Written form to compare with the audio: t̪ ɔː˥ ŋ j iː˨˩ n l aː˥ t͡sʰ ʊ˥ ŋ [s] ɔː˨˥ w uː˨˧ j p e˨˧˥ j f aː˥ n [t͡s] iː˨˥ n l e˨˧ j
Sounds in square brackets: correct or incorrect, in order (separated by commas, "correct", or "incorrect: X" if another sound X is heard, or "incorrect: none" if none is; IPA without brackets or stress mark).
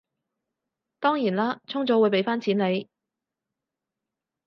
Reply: incorrect: t͡s, incorrect: t͡sʰ